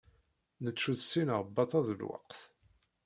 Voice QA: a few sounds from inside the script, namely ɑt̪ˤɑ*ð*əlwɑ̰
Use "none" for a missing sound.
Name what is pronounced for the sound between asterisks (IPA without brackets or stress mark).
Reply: ð